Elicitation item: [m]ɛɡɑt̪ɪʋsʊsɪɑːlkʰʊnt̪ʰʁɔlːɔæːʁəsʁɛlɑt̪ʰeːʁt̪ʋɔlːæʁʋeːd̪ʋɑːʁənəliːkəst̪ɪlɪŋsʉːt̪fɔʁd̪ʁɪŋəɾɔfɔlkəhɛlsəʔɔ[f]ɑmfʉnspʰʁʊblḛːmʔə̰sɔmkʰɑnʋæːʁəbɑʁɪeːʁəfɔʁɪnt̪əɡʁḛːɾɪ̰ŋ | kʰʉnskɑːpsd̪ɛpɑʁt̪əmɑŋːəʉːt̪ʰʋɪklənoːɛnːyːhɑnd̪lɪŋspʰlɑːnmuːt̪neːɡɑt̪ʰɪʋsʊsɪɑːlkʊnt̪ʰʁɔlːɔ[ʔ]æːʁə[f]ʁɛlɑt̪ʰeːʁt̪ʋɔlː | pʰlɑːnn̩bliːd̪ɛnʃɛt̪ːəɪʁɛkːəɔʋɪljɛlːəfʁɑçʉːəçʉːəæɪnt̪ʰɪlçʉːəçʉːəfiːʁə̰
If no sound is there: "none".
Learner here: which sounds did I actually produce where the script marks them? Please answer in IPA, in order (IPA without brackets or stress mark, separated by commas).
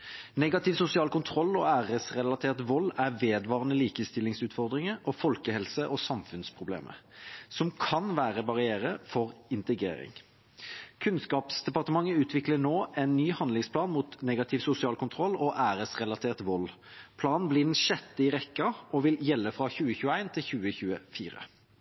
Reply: n, s, ʔ, s